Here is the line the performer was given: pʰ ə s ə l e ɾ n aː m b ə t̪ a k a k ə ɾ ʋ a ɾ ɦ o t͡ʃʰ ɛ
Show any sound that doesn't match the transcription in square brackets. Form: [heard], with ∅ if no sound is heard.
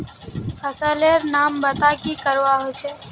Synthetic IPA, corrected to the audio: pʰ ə s ə l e ɾ n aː m b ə t̪ a k [i] k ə ɾ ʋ a [∅] ɦ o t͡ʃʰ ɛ